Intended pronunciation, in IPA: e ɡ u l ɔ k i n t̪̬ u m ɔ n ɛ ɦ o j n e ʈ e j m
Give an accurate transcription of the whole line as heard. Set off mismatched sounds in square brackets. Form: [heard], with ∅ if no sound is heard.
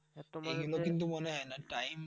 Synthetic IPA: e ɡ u l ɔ k i n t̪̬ u m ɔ n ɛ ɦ [ɔ] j n [a] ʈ [a] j m

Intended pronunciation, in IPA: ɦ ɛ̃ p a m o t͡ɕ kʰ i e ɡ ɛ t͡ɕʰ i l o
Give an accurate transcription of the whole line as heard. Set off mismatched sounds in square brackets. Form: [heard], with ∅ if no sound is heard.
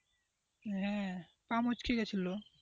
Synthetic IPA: ɦ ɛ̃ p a m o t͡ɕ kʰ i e ɡ ɛ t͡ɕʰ i l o

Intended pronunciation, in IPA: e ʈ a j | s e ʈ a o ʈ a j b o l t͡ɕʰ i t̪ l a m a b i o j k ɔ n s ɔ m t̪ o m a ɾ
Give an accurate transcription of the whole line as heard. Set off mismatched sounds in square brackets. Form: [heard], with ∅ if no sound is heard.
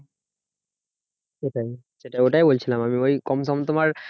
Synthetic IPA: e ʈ a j | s e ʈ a o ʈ a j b o l t͡ɕʰ i [∅] l a m a [m] i o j k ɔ [m] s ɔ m t̪ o m a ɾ

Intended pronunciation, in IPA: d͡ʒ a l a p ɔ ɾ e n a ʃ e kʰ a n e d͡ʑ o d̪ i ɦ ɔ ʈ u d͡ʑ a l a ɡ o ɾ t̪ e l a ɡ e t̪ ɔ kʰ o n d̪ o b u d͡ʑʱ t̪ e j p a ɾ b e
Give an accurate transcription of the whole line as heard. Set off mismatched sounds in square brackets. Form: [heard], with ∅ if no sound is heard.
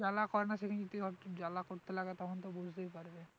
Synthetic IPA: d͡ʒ a l a [k] ɔ ɾ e n a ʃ e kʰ a n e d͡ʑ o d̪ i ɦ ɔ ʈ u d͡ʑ a l a [k] o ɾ t̪ e l a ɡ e t̪ ɔ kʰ o n [t̪] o b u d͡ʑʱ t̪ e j p a ɾ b e

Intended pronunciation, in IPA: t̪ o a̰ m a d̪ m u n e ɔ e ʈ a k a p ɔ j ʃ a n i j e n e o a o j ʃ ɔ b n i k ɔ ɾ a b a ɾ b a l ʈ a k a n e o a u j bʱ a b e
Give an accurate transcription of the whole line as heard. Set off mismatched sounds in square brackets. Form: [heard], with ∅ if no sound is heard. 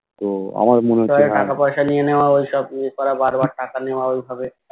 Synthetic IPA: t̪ o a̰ m a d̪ m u n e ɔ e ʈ a k a p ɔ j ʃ a n i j e n e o a o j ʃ ɔ b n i k ɔ ɾ a b a ɾ b a [ɾ] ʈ a k a n e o a [o] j bʱ a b e

